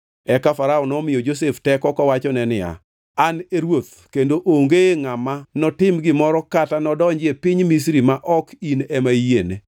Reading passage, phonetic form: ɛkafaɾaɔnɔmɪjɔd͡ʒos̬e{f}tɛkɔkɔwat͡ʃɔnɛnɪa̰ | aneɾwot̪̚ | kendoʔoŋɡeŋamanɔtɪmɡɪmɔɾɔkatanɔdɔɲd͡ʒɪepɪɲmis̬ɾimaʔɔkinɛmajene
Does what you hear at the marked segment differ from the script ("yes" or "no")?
no